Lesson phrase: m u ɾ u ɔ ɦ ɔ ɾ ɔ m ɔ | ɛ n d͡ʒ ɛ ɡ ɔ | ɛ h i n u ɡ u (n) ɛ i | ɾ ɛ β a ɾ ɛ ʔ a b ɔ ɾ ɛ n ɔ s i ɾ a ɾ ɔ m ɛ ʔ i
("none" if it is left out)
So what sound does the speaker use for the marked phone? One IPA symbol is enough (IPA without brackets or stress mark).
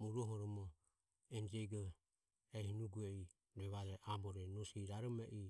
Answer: none